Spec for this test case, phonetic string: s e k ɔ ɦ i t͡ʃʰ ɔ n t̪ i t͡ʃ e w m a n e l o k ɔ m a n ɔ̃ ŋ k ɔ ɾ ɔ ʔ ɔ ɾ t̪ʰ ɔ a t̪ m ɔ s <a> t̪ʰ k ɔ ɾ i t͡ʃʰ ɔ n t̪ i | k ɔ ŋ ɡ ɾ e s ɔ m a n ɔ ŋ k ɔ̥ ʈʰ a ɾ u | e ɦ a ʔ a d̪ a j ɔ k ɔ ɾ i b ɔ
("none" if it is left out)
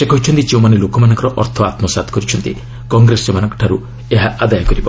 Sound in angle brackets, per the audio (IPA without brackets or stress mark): a